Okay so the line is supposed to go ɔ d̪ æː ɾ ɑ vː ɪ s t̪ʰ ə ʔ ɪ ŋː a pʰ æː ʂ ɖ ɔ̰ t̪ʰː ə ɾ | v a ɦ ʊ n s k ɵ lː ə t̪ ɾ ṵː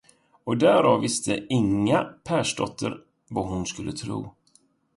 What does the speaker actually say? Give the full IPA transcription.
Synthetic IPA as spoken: ɔ d̪ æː ɾ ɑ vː ɪ s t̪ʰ ə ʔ ɪ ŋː a pʰ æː ʂ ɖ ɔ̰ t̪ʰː ə ɾ | v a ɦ ʊ n s k ɵ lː ə t̪ʰ ɾ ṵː